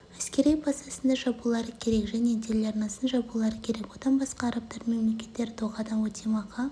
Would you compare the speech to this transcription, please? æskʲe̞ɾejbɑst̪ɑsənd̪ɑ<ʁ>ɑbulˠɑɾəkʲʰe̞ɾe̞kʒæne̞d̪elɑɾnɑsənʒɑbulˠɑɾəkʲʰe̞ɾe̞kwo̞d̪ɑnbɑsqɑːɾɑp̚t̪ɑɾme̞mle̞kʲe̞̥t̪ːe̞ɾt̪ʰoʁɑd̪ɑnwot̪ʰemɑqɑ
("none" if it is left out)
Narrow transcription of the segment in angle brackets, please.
ʒ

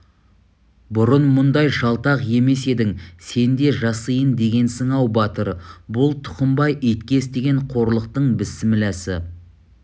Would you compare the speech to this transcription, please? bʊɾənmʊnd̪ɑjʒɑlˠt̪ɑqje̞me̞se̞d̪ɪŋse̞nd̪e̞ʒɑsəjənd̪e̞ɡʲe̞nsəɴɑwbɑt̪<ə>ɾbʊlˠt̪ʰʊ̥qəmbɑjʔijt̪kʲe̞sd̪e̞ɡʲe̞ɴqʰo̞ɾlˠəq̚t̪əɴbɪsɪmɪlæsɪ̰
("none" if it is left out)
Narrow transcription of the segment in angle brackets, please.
ə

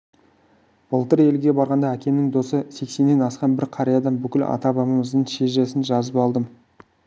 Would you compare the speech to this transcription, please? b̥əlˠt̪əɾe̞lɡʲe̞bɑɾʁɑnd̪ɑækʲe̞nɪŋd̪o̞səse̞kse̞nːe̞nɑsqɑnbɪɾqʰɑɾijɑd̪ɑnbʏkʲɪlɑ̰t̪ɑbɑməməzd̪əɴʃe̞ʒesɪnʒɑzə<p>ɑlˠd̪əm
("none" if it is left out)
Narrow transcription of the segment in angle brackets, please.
p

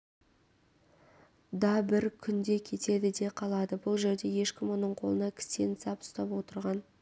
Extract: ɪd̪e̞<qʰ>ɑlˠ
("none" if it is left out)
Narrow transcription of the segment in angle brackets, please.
qʰ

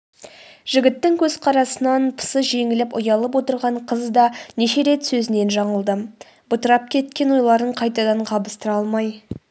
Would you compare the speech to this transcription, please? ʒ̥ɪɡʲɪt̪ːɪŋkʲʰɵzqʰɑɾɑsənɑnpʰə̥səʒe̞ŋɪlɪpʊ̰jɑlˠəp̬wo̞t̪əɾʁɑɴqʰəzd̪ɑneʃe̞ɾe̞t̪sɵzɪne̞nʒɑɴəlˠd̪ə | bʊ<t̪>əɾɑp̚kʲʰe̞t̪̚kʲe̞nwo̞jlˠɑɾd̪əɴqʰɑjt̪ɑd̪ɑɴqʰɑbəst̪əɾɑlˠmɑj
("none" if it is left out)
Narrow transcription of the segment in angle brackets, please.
t̪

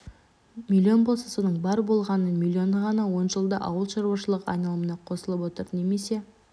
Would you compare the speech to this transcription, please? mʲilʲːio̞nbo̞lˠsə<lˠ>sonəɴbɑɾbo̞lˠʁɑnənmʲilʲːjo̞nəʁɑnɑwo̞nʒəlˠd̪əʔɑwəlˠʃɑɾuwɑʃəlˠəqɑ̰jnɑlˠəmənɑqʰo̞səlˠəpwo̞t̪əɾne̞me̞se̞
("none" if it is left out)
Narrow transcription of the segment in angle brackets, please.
none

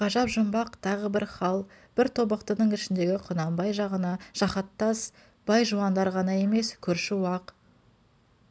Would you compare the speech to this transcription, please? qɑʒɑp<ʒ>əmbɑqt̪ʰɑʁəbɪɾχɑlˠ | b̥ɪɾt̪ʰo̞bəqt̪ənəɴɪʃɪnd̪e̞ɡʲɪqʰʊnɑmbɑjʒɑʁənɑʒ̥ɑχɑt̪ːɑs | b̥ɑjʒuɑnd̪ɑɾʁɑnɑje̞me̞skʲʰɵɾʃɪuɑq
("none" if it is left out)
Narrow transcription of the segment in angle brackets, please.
ʒ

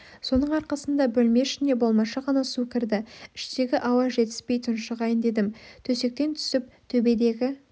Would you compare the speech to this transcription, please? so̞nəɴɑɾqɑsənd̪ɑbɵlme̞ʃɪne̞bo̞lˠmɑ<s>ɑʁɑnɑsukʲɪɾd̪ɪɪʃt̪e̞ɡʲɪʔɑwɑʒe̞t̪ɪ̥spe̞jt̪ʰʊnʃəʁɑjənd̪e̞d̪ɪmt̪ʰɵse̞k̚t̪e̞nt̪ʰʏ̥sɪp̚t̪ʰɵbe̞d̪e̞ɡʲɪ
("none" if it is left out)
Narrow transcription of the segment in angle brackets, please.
ʃ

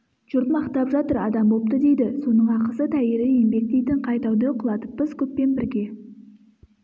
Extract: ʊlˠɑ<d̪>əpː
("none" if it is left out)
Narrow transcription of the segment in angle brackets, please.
t̪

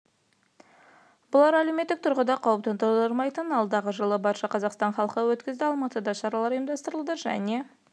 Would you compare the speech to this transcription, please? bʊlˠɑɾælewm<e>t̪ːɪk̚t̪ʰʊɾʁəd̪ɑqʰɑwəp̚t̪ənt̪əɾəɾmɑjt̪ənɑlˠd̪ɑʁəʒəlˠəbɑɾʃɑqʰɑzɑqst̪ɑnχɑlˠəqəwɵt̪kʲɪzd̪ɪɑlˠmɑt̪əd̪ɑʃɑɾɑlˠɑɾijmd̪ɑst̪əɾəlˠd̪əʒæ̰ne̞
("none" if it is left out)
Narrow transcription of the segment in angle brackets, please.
e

